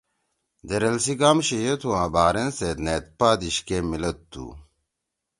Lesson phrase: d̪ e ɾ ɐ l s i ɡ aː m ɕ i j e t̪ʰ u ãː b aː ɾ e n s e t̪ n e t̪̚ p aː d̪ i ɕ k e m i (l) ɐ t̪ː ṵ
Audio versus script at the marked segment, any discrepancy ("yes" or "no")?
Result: no